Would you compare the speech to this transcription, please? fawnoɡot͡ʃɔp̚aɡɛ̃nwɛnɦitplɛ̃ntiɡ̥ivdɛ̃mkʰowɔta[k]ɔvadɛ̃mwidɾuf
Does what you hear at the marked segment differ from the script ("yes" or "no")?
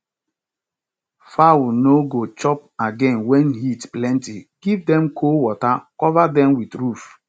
no